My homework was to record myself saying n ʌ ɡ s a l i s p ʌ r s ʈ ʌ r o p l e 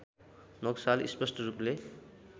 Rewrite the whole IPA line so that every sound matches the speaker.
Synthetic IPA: n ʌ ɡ s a l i s p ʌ s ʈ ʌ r u p l e